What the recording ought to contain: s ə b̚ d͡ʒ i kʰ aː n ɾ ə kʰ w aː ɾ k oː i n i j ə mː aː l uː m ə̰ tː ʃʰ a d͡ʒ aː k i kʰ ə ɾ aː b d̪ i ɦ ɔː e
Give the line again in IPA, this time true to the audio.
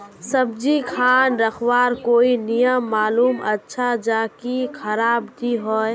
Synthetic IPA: s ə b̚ d͡ʒ i kʰ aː n ɾ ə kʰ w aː ɾ k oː i n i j ə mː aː l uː m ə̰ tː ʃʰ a d͡ʒ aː k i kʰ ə ɾ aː b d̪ i ɦ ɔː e